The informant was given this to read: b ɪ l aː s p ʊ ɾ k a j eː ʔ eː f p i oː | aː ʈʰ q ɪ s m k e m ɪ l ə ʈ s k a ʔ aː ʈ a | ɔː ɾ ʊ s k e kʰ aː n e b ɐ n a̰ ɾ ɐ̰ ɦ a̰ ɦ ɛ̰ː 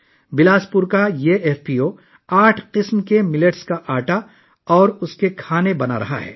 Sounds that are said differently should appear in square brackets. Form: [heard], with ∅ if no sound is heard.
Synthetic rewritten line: b ɪ l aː s p ʊ ɾ k a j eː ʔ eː f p i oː | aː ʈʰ q ɪ s m k e m ɪ l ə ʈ s k a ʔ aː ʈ a | ɔː ɾ ʊ s k e kʰ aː n e b ɐ n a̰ ɾ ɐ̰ ɦ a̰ ɦ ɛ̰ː

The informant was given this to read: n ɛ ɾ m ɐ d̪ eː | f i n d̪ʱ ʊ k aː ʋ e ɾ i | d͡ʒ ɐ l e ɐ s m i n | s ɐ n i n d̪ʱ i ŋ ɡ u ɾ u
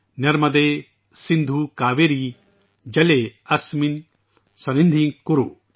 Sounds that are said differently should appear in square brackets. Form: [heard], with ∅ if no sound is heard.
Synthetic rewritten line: n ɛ ɾ m ɐ d̪ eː | [s] i n d̪ʱ [u] k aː ʋ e ɾ i | d͡ʒ ɐ l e ɐ s m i n | s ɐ n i n d̪ʱ i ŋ [k] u ɾ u

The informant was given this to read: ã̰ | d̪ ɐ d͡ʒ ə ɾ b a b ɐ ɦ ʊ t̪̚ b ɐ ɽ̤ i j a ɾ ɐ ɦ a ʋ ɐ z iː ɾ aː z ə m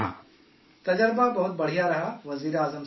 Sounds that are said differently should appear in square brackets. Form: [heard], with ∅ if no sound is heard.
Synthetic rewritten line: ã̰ | [t̪] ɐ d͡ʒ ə ɾ b a b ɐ ɦ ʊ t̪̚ b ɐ ɽ̤ i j a ɾ ɐ ɦ a ʋ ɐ z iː ɾ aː z ə m

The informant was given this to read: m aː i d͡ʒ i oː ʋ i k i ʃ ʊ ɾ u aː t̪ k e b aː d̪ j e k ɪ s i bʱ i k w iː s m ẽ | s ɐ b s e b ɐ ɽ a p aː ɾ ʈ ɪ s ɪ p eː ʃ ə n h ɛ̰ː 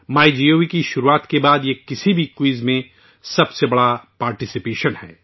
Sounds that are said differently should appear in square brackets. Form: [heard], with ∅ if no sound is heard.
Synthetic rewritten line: m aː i d͡ʒ i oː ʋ i k i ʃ ʊ ɾ u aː t̪ k e b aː d̪ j e k ɪ s i bʱ i k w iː [z] m ẽ | s ɐ b s e b ɐ ɽ a p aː ɾ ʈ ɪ s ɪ p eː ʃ ə n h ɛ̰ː

